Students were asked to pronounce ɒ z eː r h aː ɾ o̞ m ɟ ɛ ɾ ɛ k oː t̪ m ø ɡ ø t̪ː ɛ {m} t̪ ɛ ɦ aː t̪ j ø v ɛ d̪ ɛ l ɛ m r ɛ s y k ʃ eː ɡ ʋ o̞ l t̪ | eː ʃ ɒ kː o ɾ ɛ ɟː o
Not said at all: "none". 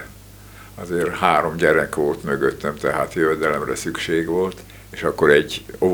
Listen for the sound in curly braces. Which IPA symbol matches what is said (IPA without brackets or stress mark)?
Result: m